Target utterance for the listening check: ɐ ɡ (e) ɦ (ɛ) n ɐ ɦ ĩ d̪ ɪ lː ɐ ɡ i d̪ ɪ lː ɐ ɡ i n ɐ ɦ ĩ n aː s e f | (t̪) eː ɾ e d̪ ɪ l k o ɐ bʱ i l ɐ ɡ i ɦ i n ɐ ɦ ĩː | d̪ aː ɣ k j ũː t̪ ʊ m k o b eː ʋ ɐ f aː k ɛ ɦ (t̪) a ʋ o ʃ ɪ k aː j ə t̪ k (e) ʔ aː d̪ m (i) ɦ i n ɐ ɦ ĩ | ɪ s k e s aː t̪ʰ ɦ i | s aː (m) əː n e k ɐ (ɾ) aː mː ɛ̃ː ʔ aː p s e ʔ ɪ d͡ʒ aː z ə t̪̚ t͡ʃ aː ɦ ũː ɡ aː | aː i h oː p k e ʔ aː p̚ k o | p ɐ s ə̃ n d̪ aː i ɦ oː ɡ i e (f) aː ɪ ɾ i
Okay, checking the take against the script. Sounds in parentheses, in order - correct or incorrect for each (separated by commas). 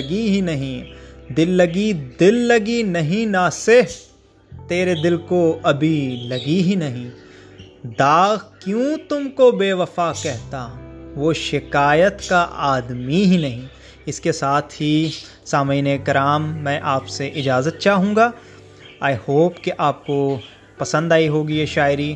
incorrect, incorrect, correct, correct, incorrect, correct, correct, correct, incorrect